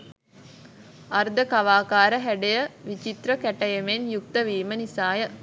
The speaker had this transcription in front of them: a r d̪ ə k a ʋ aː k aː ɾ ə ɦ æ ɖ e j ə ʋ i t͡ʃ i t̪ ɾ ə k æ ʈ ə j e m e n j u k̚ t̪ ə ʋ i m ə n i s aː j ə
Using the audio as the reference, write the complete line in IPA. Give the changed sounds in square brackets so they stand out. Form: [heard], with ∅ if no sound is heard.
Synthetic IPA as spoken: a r d̪ ə k a ʋ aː k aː ɾ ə ɦ æ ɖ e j ə ʋ i t͡ʃ i t̪ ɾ ə k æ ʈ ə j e m e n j u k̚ t̪ ə ʋ [iː] m ə n i s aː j ə